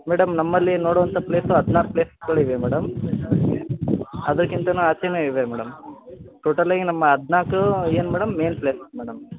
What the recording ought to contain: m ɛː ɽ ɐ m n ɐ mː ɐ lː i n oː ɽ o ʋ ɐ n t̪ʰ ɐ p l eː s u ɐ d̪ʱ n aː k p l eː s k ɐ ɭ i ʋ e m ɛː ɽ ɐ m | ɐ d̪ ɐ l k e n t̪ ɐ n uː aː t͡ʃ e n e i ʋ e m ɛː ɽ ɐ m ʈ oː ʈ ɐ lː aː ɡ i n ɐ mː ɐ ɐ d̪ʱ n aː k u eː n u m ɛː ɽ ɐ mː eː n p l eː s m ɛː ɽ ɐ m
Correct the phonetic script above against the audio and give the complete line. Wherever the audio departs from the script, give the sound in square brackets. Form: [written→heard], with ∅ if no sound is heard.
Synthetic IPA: m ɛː ɽ ɐ m n ɐ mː ɐ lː i n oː ɽ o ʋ ɐ n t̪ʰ ɐ p l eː s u ɐ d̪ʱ n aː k p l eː s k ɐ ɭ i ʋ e m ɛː ɽ ɐ m | ɐ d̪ ɐ [l→ɾ] k [e→i] n t̪ ɐ n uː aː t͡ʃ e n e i ʋ e m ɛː ɽ ɐ m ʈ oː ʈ ɐ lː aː ɡ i n ɐ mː ɐ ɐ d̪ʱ n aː k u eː n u m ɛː ɽ ɐ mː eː n p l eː s m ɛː ɽ ɐ m

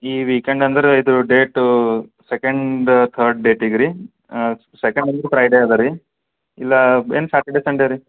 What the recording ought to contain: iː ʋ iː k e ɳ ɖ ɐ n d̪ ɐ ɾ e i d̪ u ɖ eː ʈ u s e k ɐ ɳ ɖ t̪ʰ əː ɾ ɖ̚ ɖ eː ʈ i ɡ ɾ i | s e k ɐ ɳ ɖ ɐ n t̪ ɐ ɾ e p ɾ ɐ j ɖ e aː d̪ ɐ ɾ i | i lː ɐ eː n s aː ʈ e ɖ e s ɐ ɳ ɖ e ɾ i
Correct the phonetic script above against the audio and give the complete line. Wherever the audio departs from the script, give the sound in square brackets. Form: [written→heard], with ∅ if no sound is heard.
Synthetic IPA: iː ʋ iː k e ɳ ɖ ɐ n d̪ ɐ ɾ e i d̪ u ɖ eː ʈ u s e k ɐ ɳ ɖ t̪ʰ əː ɾ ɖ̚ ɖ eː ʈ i ɡ ɾ i | s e k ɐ ɳ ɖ ɐ n [t̪→d̪] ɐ ɾ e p ɾ ɐ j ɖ e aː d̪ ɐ ɾ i | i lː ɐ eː n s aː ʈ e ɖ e s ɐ ɳ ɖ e ɾ i

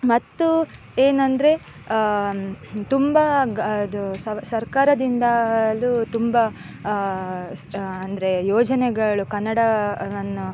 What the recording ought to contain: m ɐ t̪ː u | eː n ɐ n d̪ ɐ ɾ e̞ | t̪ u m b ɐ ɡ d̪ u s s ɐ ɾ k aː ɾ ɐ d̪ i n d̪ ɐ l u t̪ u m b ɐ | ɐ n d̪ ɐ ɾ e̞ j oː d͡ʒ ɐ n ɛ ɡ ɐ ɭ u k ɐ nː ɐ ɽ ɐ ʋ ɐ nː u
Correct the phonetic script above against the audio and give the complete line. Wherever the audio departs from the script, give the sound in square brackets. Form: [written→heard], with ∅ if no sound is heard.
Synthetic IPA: m ɐ t̪ː u | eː n ɐ n d̪ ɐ ɾ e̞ | t̪ u m b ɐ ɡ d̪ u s s ɐ ɾ k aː ɾ ɐ d̪ i n d̪ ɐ l u t̪ u m b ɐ | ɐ n d̪ ɐ ɾ e̞ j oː d͡ʒ ɐ n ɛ ɡ ɐ ɭ u k ɐ nː ɐ ɽ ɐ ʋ ɐ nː u

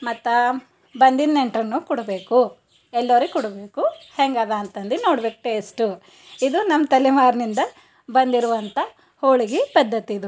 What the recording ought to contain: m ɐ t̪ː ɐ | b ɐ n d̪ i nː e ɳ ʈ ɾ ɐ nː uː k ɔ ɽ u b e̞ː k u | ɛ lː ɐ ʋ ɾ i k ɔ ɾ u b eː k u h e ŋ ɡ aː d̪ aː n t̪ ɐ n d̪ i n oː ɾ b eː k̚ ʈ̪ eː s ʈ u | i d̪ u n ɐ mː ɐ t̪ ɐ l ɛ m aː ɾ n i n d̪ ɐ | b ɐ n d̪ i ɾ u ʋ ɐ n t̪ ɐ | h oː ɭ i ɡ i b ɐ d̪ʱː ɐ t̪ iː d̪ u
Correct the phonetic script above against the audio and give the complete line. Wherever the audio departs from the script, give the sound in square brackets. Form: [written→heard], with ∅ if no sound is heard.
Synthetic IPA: m ɐ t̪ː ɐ | b ɐ n d̪ i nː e ɳ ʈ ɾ ɐ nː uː k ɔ ɽ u b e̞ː k u | ɛ lː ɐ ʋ ɾ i k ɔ [ɾ→ɽ] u b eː k u h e ŋ ɡ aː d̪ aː n t̪ ɐ n d̪ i n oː [ɾ→ɽ] b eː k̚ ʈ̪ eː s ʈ u | i d̪ u n ɐ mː ɐ t̪ ɐ l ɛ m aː ɾ n i n d̪ ɐ | b ɐ n d̪ i ɾ u ʋ ɐ n t̪ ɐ | h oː ɭ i ɡ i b ɐ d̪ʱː ɐ t̪ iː d̪ u

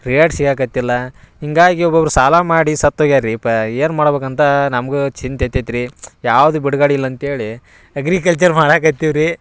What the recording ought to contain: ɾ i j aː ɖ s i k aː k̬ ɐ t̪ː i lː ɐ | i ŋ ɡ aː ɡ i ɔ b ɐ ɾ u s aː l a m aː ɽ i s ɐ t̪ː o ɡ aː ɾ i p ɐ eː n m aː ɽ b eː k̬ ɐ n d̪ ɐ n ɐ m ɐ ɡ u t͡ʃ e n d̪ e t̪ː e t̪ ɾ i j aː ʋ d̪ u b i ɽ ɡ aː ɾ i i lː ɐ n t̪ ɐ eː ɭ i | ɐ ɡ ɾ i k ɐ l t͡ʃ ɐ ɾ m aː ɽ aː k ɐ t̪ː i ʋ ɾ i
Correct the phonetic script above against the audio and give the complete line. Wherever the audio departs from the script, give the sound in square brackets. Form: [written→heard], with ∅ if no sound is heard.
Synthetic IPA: ɾ i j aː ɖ s i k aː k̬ ɐ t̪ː i lː ɐ | i ŋ ɡ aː ɡ i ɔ b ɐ ɾ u s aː l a m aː ɽ i s ɐ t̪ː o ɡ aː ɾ i p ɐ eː n m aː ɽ b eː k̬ ɐ n [d̪→t̪] ɐ n ɐ m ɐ ɡ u t͡ʃ [e→i] n [d̪→t̪] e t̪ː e t̪ ɾ i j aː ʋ d̪ u b i ɽ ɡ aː [ɾ→ɽ] i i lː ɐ n t̪ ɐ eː ɭ i | ɐ ɡ ɾ i k ɐ l t͡ʃ ɐ ɾ m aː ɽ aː k ɐ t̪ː i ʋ ɾ i

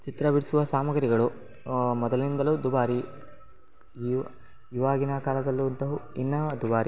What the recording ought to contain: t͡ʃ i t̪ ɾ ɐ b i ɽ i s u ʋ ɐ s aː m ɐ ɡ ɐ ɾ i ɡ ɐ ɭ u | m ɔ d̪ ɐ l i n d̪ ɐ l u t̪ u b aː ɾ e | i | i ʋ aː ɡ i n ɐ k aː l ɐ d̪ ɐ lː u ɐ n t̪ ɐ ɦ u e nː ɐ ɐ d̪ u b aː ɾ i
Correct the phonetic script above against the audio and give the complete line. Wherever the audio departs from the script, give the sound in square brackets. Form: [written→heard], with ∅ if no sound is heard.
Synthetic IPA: t͡ʃ i t̪ ɾ ɐ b i ɽ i s u ʋ ɐ s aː m ɐ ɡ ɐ ɾ i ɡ ɐ ɭ u | m ɔ d̪ ɐ l i n d̪ ɐ l u [t̪→d̪] u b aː ɾ [e→i] | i | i ʋ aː ɡ i n ɐ k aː l ɐ d̪ ɐ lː u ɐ n t̪ ɐ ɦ u [e→i] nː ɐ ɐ d̪ u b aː ɾ i

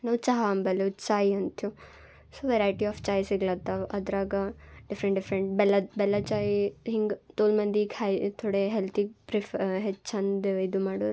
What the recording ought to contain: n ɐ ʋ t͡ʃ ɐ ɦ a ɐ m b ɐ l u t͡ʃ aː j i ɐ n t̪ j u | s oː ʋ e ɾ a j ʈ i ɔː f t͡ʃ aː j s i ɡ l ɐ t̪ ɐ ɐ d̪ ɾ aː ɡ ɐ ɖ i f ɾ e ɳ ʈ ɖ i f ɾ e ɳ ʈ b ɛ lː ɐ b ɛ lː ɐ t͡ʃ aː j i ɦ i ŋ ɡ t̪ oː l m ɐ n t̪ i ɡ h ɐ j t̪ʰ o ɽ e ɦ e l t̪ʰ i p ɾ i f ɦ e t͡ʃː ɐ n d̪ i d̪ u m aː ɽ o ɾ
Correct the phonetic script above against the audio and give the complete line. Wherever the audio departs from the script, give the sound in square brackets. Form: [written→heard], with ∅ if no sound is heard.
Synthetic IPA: n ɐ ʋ t͡ʃ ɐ ɦ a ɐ m b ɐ l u t͡ʃ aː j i ɐ n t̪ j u | s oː ʋ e ɾ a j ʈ i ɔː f t͡ʃ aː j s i ɡ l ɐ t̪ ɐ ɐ d̪ ɾ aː ɡ ɐ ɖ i f ɾ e ɳ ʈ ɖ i f ɾ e ɳ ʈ b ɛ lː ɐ b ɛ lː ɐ t͡ʃ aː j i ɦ i ŋ ɡ t̪ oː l m ɐ n [t̪→d̪] i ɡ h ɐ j t̪ʰ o ɽ e ɦ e l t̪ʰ i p ɾ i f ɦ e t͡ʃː ɐ n d̪ i d̪ u m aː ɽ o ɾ

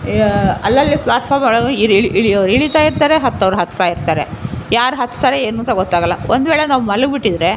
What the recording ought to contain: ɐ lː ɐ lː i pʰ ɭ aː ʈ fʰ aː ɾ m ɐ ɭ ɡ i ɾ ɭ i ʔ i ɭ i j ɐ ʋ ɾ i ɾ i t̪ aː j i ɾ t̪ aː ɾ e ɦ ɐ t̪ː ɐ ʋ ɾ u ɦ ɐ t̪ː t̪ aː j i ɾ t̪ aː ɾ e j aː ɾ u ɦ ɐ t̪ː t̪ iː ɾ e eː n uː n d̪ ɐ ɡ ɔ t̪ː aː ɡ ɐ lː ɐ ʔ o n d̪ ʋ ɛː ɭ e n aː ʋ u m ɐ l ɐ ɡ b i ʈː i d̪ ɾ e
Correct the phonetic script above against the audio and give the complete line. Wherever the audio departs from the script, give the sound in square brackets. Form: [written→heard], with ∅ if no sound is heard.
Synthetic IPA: ɐ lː ɐ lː i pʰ ɭ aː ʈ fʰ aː ɾ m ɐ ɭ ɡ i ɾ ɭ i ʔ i ɭ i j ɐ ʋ ɾ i [ɾ→ɭ] i t̪ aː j i ɾ t̪ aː ɾ e ɦ ɐ t̪ː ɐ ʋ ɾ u ɦ ɐ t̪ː t̪ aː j i ɾ t̪ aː ɾ e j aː ɾ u ɦ ɐ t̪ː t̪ [iː→aː] ɾ e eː n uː n [d̪→t̪] ɐ ɡ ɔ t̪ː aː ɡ ɐ lː ɐ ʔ o n d̪ ʋ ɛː ɭ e n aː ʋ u m ɐ l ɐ ɡ b i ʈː i d̪ ɾ e

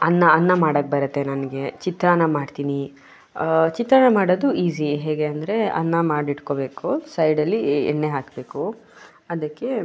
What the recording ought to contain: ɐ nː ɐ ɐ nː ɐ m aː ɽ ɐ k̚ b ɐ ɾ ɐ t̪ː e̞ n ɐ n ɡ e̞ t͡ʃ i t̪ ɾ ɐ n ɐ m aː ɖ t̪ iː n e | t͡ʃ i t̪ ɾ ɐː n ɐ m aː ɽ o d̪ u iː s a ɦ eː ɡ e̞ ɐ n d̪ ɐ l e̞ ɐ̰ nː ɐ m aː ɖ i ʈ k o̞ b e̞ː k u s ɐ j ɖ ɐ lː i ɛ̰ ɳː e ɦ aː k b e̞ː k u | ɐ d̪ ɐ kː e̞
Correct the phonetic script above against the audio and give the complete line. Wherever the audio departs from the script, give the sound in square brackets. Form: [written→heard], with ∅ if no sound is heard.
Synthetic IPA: ɐ nː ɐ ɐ nː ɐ m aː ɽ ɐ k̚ b ɐ ɾ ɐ t̪ː e̞ n ɐ n ɡ e̞ t͡ʃ i t̪ ɾ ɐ n ɐ m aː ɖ t̪ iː n [e→i] | t͡ʃ i t̪ ɾ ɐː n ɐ m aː ɽ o d̪ u iː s [a→i] ɦ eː ɡ e̞ ɐ n d̪ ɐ [l→ɾ] e̞ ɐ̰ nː ɐ m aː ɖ i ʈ k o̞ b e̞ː k u s ɐ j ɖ ɐ lː i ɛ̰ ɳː e ɦ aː k b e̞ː k u | ɐ d̪ ɐ kː e̞

